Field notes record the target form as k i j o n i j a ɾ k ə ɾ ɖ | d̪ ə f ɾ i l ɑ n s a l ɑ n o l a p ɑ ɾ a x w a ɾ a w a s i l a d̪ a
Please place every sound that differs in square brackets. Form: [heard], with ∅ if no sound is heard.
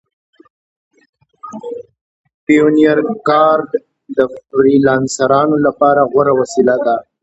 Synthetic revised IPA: [p] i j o n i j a ɾ k [ɑ] ɾ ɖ | d̪ ə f ɾ i l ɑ n s a [ɾ] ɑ n o l a p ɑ ɾ a [ɣ] w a ɾ a w a s i l a d̪ a